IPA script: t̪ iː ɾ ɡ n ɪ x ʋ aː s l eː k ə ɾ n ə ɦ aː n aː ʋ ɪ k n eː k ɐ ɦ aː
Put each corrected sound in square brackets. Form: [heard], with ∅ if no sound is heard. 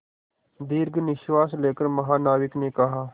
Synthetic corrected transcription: [d̪] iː ɾ ɡ n ɪ [ʃ] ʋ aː s l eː k ə ɾ [m] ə ɦ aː n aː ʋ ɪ k n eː k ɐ ɦ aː